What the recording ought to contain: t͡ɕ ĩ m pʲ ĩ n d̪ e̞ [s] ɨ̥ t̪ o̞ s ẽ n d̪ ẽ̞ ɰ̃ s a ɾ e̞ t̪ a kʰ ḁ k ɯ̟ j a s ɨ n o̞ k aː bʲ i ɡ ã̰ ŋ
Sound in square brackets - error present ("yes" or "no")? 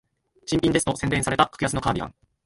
no